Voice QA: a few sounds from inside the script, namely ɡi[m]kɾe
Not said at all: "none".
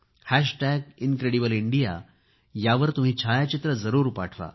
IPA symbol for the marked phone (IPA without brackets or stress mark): n